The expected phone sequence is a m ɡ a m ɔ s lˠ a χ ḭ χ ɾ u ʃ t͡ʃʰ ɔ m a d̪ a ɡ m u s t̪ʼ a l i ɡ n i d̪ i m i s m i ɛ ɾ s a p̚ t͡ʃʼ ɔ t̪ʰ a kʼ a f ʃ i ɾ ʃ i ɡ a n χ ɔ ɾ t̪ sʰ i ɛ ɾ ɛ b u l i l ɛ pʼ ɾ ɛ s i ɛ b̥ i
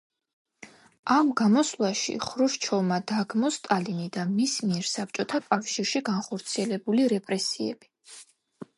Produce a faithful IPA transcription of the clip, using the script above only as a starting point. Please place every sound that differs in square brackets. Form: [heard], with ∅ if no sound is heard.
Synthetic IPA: a m ɡ a m ɔ s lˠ a [ʃ] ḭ χ ɾ u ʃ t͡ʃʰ ɔ m a d̪ a ɡ m [ɔ] s t̪ʼ a l i [∅] n i d̪ [a] m i s m i ɛ ɾ s a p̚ t͡ʃʼ ɔ t̪ʰ a kʼ a f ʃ i ɾ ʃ i ɡ a n χ ɔ ɾ t̪ sʰ i ɛ [l] ɛ b u l i [ɾ] ɛ pʼ ɾ ɛ s i ɛ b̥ i